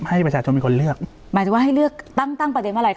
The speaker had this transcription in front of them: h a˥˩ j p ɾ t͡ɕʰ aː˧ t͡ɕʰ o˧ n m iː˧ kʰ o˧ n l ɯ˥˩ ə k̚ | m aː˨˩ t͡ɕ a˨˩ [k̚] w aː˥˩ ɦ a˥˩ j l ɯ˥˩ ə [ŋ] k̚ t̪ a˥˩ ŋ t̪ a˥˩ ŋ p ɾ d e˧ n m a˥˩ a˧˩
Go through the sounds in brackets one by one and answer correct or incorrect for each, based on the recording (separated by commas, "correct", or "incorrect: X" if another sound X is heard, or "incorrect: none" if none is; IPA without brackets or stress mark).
incorrect: none, incorrect: none